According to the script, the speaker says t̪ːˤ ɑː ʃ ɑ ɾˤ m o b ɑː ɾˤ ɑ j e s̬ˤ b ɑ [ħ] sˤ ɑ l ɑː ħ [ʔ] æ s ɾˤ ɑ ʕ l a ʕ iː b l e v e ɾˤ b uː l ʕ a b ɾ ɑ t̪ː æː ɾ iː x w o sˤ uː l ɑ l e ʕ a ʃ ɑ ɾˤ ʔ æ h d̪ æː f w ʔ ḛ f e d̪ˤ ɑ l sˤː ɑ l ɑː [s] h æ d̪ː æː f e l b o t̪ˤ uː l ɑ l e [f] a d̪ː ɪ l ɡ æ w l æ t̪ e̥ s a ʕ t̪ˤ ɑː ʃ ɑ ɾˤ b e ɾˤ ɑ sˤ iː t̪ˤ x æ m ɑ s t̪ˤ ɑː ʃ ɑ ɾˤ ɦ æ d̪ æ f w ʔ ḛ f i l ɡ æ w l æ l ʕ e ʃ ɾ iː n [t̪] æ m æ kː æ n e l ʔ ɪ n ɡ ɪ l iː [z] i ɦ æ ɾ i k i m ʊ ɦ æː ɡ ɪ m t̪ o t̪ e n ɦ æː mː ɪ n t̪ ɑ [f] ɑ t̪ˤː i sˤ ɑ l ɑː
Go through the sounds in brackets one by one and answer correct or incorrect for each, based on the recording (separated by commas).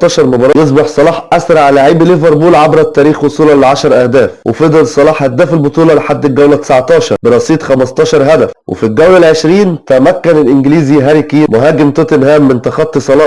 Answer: correct, correct, incorrect, incorrect, correct, correct, incorrect